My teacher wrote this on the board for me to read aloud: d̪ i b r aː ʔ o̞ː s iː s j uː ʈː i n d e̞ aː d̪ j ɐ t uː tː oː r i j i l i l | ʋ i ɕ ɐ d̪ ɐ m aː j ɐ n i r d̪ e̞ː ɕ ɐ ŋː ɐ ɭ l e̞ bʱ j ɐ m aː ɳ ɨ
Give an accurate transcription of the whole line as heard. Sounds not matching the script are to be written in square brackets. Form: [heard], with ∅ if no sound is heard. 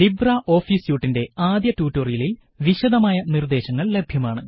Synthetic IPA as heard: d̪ i b r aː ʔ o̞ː [f] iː s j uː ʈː i n d e̞ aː d̪ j ɐ t uː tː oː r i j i l i l | ʋ i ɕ ɐ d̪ ɐ m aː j ɐ n i r d̪ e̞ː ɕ ɐ ŋː ɐ ɭ l e̞ bʱ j ɐ m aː ɳ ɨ